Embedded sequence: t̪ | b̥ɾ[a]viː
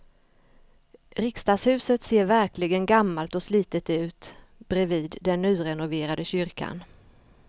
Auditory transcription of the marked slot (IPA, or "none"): ɛ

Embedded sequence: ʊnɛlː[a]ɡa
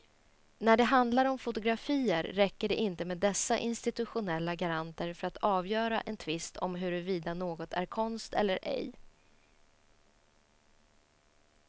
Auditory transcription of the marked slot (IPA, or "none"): a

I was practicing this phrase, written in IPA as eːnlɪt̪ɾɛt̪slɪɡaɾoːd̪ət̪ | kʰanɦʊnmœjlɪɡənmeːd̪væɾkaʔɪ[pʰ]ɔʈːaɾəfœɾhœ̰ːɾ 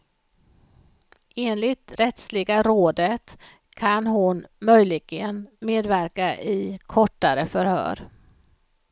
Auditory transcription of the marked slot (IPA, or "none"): kʰ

